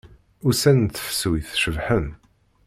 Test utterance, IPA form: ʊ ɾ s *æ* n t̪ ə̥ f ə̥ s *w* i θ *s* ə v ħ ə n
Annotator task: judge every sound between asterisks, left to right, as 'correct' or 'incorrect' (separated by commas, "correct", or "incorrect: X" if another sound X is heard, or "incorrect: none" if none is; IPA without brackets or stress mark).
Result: correct, correct, incorrect: ʃ